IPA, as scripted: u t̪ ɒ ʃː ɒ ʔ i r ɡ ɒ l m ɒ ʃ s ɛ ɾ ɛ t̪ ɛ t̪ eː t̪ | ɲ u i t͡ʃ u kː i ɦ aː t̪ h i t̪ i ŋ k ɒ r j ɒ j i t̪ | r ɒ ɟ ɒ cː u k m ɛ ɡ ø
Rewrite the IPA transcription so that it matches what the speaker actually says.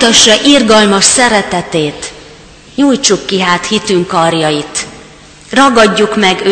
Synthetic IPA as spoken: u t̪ ɒ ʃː ɒ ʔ i r ɡ ɒ l m ɒ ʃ s ɛ ɾ ɛ t̪ ɛ t̪ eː t̪ | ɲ u j t͡ʃ u kː i ɦ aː t̪ h i t̪ y ŋ k ɒ r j ɒ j i t̪ | r ɒ ɡ ɒ ɟː u k m ɛ ɡ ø